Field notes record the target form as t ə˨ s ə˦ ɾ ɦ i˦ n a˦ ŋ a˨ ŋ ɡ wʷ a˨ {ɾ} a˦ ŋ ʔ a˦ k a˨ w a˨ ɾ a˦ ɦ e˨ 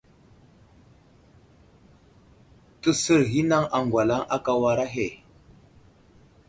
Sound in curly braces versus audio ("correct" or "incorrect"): incorrect